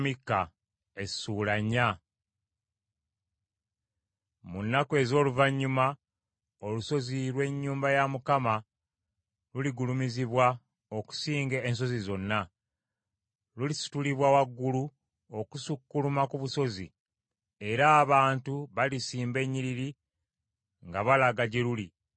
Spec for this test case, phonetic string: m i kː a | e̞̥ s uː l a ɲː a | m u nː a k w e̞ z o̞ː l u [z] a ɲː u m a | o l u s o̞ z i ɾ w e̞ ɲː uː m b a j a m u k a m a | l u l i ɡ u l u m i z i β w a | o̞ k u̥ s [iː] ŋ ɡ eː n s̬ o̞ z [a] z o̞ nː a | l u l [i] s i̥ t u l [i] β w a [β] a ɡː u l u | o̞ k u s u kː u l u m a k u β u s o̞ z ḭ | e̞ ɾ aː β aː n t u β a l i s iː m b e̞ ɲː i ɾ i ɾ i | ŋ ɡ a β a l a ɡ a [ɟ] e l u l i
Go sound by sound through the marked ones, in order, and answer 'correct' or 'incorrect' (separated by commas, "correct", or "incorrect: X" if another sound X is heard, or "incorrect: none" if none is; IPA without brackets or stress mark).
incorrect: v, correct, incorrect: i, correct, correct, incorrect: w, correct